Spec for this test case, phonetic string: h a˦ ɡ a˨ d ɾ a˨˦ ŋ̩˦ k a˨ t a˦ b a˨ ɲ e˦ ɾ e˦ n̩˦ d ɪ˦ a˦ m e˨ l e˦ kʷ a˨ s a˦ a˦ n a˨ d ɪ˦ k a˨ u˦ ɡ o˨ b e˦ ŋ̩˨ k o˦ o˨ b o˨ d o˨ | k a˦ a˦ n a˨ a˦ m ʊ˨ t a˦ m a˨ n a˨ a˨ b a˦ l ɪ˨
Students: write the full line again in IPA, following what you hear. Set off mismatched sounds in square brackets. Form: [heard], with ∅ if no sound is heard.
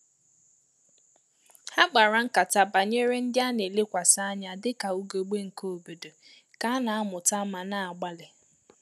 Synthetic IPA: h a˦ [ɡ͡b] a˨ [∅] ɾ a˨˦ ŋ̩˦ k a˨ t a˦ b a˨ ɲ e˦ ɾ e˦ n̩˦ d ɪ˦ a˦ [n] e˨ l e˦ kʷ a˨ s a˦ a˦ [ɲ] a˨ d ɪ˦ k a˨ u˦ ɡ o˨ [ɡ͡b] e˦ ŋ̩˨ k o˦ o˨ b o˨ d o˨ | k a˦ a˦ n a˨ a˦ m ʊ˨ t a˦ m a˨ n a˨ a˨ [ɡ͡b] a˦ l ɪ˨